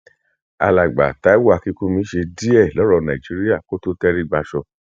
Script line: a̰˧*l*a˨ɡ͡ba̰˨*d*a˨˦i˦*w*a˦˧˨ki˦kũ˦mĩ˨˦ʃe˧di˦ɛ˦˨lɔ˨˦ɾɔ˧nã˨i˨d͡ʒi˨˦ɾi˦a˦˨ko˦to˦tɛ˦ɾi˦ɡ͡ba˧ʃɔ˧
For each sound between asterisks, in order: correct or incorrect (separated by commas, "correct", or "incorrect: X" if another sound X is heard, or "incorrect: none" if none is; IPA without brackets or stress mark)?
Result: correct, incorrect: t, correct